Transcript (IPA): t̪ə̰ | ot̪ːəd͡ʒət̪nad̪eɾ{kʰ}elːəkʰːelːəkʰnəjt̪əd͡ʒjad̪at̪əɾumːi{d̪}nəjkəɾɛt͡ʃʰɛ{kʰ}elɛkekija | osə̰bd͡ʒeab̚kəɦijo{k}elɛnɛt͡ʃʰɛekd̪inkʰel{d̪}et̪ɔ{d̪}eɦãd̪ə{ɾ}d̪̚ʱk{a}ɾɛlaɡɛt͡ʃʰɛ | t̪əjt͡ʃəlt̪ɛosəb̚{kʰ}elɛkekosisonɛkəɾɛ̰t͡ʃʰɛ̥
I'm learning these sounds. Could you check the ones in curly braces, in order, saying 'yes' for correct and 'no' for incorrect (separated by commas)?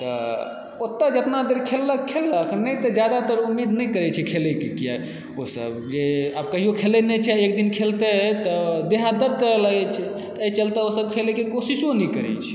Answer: yes, yes, yes, no, no, yes, yes, no, yes